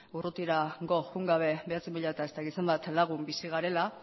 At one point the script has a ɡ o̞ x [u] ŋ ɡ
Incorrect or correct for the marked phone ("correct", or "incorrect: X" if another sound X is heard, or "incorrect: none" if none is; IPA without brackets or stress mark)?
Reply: correct